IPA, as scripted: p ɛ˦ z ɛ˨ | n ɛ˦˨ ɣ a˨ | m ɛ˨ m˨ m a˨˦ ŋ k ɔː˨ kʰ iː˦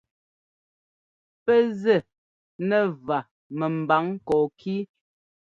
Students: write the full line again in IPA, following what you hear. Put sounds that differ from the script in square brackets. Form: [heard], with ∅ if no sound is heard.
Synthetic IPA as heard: p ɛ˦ z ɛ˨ | n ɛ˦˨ [v] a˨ | m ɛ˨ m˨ [b] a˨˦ ŋ k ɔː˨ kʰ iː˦